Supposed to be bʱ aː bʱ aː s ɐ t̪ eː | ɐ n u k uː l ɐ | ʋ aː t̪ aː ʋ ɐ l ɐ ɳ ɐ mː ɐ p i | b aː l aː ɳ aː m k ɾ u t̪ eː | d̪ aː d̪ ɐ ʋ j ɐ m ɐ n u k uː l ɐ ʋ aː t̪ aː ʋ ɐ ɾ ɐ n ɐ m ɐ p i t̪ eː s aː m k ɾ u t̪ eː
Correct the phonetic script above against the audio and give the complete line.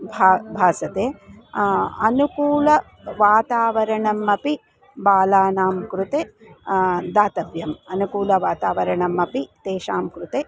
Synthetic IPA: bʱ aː bʱ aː s ɐ t̪ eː | ɐ n u k uː l ɐ | ʋ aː t̪ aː ʋ ɐ ɾ ɐ ɳ ɐ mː ɐ p i | b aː l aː n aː m k ɾ u t̪ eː | d̪ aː t̪ ɐ ʋ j ɐ m ɐ n u k uː l ɐ ʋ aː t̪ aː ʋ ɐ ɾ ɐ ɳ ɐ m ɐ p i t̪ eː ʃ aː m k ɾ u t̪ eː

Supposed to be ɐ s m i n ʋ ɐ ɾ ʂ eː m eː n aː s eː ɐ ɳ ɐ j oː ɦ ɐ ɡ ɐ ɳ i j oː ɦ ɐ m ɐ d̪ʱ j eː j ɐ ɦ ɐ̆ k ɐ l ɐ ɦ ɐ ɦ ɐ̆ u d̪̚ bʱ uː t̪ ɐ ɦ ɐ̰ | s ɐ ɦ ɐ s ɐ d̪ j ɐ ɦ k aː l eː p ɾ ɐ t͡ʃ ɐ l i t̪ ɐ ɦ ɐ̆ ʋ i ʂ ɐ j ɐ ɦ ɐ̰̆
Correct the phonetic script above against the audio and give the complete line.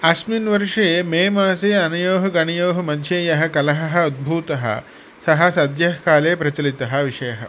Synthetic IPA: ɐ s m i n ʋ ɐ ɾ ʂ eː m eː m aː s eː ɐ n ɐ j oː ɦ ɐ ɡ ɐ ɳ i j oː ɦ ɐ m ɐ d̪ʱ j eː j ɐ ɦ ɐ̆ k ɐ l ɐ ɦ ɐ ɦ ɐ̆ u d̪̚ bʱ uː t̪ ɐ ɦ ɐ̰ | s ɐ ɦ ɐ s ɐ d̪ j ɐ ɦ k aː l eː p ɾ ɐ t͡ʃ ɐ l i t̪ ɐ ɦ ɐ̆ ʋ i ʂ ɐ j ɐ ɦ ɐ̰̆

